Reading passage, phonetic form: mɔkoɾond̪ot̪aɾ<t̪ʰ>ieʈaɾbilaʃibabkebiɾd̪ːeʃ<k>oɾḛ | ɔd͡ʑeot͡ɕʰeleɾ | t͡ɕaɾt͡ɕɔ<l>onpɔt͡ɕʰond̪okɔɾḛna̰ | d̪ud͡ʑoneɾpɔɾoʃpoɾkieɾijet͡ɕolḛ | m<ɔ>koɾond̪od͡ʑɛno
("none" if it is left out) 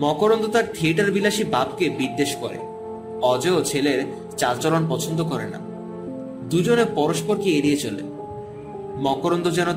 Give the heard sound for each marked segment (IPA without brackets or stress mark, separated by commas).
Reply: t̪ʰ, k, l, ɔ